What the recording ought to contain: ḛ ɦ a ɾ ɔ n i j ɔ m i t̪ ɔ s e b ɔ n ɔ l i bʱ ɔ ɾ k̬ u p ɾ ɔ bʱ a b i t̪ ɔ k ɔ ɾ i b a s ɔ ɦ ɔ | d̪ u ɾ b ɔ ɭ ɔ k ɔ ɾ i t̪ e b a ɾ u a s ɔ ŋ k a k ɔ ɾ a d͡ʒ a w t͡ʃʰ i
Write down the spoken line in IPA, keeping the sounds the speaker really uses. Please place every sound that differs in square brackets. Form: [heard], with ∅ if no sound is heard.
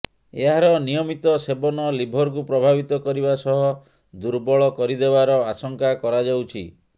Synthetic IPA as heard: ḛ ɦ a ɾ ɔ n i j ɔ m i t̪ ɔ s e b ɔ n ɔ l i bʱ ɔ ɾ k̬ u p ɾ ɔ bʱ a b i t̪ ɔ k ɔ ɾ i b a s ɔ ɦ ɔ | d̪ u ɾ b ɔ ɭ ɔ k ɔ ɾ i [d̪] e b a ɾ [ɔ] a s ɔ ŋ k a k ɔ ɾ a d͡ʒ a w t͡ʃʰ i